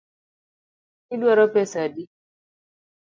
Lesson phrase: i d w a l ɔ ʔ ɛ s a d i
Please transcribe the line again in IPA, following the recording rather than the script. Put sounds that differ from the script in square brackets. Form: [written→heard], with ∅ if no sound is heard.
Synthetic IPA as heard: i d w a [l→ɾ] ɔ [ʔ→p] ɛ s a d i